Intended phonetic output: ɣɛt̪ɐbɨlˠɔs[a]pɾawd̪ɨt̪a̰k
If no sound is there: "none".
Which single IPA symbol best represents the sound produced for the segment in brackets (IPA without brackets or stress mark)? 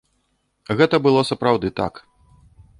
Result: ɐ